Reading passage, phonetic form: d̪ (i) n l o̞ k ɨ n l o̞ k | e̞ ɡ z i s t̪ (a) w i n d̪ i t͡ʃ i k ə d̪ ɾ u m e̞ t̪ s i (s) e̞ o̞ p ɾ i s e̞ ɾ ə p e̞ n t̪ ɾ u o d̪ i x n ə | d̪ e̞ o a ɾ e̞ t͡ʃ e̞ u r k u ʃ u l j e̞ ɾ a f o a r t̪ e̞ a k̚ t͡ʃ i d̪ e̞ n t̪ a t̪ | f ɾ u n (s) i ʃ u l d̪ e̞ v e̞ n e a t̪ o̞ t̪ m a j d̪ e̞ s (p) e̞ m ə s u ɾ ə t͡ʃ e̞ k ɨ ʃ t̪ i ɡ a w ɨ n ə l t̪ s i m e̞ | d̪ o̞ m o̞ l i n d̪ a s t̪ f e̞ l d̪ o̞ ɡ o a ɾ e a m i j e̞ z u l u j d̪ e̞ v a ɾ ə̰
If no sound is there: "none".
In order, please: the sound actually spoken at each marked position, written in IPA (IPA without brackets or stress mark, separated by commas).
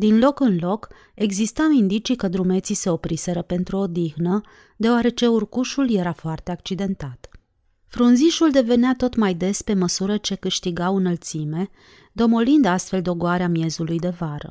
i, a, s, z, p